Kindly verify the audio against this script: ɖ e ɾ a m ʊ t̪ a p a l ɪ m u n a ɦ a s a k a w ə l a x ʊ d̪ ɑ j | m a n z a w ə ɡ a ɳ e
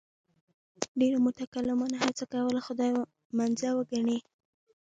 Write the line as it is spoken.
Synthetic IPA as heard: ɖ e ɾ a m ʊ t̪ a k a l ɪ m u n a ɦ a t͡s a k a w ə l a x ʊ d̪ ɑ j | m a n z a w ə ɡ a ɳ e